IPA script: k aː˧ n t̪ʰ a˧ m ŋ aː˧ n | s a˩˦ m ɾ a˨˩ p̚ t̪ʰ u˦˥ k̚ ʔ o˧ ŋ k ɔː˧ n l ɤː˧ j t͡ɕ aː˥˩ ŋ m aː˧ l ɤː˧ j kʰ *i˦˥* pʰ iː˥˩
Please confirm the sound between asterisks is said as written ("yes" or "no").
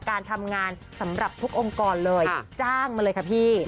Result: no